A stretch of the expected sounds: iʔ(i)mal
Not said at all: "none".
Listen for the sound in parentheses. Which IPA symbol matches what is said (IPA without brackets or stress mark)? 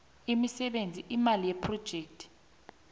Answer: i